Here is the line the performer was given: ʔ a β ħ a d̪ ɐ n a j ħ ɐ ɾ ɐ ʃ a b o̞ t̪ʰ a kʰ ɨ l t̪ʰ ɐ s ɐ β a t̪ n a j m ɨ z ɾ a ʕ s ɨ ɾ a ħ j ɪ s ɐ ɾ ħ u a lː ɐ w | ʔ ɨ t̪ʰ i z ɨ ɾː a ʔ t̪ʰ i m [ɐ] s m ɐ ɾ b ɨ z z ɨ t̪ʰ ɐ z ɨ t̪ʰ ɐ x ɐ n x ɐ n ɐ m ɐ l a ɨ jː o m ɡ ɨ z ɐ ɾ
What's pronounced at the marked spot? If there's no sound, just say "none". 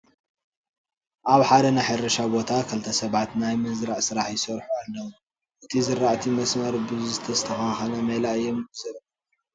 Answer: ɐ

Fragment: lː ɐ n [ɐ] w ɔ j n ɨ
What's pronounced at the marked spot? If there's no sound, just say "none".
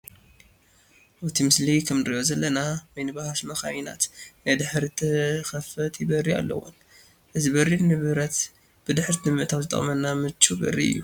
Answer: a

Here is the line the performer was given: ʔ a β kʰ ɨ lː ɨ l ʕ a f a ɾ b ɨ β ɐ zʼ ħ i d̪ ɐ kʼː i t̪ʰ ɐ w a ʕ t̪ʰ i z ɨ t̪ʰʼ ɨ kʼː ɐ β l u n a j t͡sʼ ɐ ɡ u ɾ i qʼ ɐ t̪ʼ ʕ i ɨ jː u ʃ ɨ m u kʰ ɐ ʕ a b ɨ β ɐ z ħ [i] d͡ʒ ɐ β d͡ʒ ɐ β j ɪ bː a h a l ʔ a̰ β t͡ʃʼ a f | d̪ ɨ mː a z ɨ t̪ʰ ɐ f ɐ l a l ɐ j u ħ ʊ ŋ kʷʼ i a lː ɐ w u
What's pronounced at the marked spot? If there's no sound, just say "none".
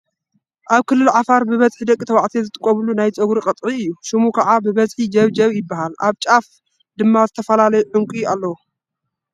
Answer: i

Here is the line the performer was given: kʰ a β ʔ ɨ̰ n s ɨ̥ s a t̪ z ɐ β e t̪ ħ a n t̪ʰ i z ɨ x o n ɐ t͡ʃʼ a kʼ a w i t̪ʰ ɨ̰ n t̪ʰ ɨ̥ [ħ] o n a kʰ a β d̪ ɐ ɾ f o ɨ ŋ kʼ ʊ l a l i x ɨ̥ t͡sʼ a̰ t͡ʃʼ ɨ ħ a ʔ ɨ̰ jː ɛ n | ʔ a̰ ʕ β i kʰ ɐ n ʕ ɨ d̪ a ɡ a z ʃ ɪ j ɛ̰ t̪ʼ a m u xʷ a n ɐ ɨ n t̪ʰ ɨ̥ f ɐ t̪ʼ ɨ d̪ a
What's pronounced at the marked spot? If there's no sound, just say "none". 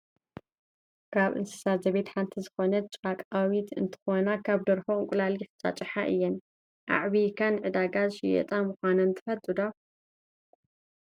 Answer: x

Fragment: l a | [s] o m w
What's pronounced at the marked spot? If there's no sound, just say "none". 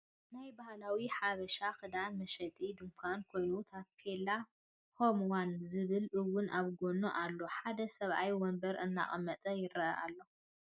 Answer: h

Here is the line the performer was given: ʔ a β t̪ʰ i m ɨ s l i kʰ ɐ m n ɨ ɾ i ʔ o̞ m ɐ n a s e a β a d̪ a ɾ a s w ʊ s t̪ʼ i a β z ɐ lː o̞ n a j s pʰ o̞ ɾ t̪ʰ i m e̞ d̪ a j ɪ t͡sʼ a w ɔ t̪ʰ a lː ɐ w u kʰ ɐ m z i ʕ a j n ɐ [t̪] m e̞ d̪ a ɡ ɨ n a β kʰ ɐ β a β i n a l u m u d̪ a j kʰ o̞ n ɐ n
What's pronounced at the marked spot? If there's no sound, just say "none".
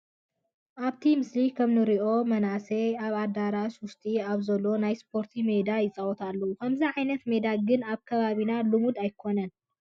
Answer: t̪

